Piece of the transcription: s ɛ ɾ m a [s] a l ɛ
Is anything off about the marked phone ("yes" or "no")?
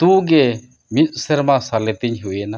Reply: no